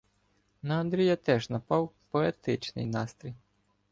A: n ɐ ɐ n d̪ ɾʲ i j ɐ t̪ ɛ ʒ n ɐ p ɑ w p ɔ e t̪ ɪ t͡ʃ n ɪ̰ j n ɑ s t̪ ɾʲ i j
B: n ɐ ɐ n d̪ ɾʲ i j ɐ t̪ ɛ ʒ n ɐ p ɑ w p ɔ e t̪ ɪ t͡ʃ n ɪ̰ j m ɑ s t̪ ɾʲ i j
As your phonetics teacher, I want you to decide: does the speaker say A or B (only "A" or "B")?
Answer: A